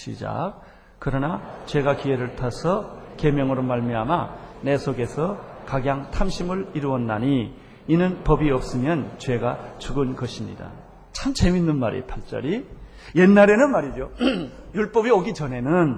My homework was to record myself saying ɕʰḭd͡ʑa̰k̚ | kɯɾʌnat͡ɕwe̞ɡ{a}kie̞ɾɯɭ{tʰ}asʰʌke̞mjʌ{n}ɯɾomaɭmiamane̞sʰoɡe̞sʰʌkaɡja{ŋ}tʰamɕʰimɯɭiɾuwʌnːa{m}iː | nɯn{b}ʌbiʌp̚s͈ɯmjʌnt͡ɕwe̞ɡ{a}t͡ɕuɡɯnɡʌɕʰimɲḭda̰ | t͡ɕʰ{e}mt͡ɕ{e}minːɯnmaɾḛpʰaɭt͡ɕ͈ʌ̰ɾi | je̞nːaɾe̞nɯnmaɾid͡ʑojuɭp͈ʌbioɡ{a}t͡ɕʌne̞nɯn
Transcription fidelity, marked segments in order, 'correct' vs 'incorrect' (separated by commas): correct, correct, incorrect, correct, incorrect, incorrect, correct, incorrect, correct, incorrect